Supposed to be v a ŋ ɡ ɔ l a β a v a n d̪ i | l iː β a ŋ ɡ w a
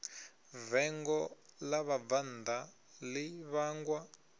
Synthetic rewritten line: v ɛ ŋ ɡ ɔ l a β a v a n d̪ a | l i β a ŋ ɡ w a

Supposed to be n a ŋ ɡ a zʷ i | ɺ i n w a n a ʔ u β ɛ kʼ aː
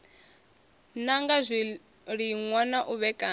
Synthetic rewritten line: n a ŋ ɡ a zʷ i | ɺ i ŋ w a n a ʔ u β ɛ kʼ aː

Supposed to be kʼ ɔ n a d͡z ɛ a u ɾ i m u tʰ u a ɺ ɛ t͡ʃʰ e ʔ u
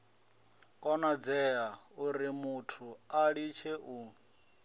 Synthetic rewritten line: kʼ ɔ n a d͡z ɛ a u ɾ i m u tʰ u a ɺ i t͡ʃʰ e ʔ u

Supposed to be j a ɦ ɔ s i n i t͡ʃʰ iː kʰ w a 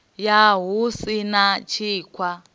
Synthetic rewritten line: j a ɦ u s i n a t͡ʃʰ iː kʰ w a

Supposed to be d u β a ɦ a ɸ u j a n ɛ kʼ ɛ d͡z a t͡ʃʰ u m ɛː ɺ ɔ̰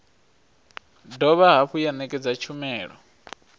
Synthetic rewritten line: d ɔ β a ɦ a ɸ u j a n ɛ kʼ ɛ d͡z a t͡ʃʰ u m ɛː ɺ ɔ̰

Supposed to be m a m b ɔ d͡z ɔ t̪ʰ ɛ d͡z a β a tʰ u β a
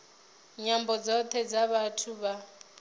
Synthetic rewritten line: ɲ a m b ɔ d͡z ɔ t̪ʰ ɛ d͡z a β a tʰ u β a

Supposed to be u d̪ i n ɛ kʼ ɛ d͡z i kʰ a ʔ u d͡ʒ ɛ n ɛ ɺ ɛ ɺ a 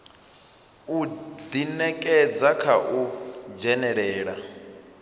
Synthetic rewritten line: u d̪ i n ɛ kʼ ɛ d͡z a kʰ a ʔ u d͡ʒ ɛ n ɛ ɺ ɛː ɺ a

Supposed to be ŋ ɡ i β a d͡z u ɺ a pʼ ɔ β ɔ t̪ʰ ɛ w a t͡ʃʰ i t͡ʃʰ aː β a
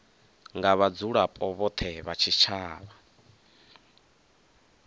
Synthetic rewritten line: ŋ ɡ a β a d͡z u ɺ a pʼ ɔ β ɔ t̪ʰ ɛ β a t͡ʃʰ i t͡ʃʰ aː β a

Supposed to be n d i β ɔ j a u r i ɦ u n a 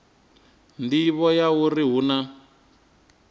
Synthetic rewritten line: n d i β ɔ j a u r i ɦ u n a

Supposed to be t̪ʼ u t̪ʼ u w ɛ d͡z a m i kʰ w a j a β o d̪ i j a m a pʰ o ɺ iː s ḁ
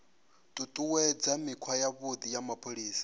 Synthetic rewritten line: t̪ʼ u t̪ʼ u w ɛ d͡z a m i kʰ w a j a β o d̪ i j a m a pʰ o ɺ iː s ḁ

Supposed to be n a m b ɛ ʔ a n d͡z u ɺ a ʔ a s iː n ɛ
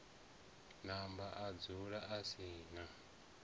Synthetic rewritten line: n a m b a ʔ a d͡z u ɺ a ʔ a s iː n a

